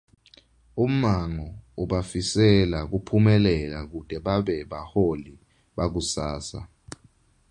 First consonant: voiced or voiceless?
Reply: voiced